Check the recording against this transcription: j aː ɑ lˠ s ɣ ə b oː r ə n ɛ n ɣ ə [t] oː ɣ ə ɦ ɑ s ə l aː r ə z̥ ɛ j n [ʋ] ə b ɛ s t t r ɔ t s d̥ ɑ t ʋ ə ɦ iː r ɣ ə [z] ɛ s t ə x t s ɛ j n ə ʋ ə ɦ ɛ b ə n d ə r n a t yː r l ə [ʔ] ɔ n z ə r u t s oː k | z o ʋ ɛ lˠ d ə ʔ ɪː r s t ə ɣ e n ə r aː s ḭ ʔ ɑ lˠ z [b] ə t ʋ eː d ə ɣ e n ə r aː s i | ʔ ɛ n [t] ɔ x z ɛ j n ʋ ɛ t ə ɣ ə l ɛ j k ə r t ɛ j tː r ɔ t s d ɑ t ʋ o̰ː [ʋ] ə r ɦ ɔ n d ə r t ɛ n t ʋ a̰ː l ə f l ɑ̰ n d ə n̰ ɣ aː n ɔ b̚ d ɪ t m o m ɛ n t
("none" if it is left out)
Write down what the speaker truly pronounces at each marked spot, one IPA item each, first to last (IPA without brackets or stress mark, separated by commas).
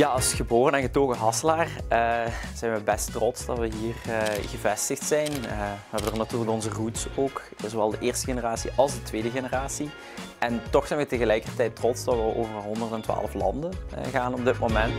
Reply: t, ʋ, v, k, d, t, v